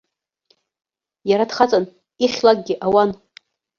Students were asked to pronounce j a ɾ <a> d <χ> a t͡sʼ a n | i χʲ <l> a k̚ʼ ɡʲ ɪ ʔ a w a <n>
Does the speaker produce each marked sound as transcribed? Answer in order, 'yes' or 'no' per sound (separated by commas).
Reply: yes, yes, yes, yes